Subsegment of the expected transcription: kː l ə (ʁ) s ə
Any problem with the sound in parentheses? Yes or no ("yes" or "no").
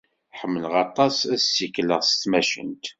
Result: no